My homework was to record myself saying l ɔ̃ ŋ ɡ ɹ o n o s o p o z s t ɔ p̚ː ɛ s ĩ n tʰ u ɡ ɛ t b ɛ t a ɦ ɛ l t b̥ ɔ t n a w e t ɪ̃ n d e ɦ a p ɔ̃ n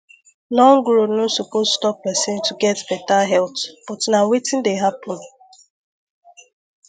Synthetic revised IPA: l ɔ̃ ŋ ɡ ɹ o n o s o p o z s t ɔ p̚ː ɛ s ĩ n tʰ u ɡ ɛ t b ɛ t a ɦ ɛ l t b̥ ɔ t n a w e t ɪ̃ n d e ɦ a p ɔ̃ n